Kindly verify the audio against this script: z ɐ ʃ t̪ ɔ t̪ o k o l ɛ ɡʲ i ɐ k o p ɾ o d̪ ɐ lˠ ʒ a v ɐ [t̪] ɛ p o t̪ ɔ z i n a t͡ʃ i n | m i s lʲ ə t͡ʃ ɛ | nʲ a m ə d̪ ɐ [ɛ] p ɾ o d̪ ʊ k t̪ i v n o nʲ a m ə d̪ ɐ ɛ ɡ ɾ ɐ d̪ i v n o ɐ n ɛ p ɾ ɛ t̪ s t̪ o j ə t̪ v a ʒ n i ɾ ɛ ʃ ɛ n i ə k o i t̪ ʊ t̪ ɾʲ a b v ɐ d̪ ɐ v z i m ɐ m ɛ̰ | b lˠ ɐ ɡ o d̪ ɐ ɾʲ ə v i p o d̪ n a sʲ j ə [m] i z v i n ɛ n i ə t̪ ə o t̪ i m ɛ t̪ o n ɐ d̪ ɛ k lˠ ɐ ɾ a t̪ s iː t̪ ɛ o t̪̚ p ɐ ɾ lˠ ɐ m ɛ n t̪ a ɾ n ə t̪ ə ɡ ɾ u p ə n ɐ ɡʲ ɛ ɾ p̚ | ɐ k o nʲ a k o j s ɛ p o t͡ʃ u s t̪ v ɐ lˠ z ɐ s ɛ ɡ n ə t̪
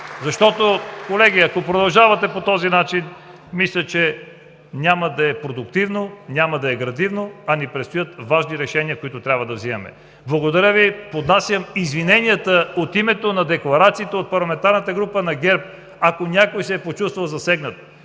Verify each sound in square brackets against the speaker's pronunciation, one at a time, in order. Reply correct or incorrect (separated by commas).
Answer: correct, correct, correct